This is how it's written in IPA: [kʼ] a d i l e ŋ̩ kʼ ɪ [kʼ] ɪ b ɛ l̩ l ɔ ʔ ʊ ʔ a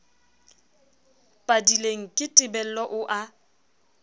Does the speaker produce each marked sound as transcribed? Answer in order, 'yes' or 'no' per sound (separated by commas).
no, no